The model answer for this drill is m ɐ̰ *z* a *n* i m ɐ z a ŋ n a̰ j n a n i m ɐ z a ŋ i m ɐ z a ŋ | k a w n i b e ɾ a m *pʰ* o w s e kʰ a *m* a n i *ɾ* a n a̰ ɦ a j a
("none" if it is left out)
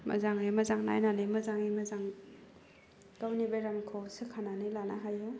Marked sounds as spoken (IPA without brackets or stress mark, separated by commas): z, ŋ, kʰ, n, l